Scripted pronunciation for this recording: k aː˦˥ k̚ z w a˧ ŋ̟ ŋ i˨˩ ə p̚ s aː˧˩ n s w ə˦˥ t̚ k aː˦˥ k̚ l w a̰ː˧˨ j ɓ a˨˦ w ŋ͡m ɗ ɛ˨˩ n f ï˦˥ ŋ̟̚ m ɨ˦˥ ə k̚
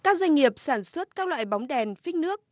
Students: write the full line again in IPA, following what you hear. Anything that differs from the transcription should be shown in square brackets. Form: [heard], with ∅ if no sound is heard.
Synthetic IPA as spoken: k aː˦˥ k̚ z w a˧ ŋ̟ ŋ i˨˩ ə p̚ s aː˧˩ n s w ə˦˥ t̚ k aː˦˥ k̚ l w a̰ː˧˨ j ɓ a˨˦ w ŋ͡m ɗ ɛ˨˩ n f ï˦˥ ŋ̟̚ [n] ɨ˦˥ ə k̚